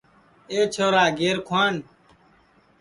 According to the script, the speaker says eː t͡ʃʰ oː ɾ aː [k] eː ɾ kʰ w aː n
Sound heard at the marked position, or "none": ɡ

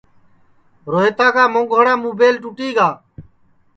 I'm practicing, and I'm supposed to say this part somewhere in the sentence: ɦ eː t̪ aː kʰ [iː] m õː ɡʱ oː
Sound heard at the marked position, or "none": aː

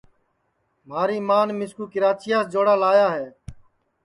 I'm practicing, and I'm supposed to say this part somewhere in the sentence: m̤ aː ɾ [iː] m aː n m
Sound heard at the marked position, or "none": iː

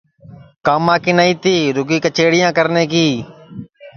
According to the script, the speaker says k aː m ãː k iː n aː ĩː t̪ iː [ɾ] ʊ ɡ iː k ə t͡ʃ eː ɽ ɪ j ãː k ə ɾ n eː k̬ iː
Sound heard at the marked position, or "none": ɾ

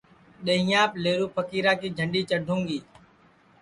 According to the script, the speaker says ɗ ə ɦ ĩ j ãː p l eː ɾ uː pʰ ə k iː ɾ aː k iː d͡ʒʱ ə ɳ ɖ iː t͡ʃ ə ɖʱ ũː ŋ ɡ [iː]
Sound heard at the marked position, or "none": iː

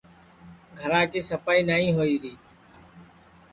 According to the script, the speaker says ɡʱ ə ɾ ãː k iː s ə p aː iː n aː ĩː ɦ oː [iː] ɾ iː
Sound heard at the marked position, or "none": iː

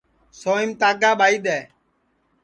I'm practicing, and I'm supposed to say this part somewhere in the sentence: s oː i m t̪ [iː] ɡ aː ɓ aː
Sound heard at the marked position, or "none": aː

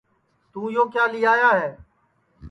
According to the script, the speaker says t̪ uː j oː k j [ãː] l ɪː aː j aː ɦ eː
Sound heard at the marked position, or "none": aː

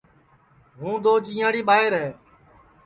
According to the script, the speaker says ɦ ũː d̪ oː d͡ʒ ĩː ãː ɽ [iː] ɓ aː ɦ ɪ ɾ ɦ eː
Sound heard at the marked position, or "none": iː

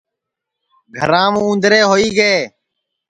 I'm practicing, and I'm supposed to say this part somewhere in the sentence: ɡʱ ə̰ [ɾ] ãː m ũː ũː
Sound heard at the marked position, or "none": ɾ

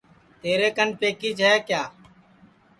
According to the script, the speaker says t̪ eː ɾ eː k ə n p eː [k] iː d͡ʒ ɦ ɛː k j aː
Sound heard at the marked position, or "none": k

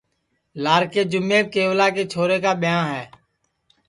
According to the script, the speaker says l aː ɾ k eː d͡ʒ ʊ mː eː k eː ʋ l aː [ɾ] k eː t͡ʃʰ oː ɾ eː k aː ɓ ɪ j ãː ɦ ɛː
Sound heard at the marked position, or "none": none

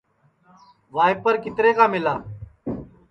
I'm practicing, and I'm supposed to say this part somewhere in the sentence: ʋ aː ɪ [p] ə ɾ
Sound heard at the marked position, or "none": p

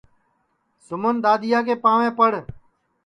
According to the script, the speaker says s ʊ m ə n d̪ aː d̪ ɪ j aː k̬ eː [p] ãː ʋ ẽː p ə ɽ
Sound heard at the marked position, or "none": p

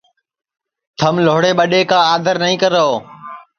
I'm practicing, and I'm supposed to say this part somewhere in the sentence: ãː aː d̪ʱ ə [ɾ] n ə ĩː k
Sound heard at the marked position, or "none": ɾ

